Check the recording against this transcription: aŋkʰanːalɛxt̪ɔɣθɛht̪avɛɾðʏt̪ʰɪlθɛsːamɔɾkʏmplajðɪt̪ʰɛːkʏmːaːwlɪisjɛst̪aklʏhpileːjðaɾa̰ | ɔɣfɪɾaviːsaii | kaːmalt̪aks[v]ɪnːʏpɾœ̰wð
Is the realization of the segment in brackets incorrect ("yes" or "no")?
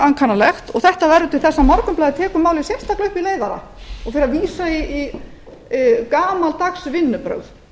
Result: no